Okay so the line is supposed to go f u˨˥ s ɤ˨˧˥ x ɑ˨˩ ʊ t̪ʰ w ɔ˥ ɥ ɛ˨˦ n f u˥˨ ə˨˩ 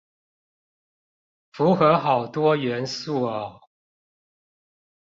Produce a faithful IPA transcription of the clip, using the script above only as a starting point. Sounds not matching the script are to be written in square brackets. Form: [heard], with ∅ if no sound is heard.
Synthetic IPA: f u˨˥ [x] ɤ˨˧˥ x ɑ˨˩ ʊ [t̪] w ɔ˥ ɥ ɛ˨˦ n [s] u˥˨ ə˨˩